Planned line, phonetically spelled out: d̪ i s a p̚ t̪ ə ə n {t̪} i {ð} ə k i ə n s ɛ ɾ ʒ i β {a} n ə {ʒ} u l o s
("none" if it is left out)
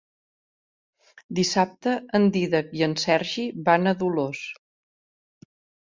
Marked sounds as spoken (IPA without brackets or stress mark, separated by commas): d̪, ð, a, ð